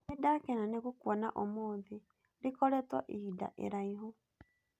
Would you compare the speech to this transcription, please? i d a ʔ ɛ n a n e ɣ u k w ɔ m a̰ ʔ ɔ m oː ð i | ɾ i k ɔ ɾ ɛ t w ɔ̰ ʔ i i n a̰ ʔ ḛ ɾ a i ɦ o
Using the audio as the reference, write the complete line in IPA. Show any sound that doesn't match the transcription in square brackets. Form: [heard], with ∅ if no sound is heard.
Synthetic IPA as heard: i d a [k] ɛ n a n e ɣ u k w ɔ [n] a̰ ʔ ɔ m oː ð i | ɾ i k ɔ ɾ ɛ t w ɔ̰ ʔ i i [d] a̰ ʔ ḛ ɾ a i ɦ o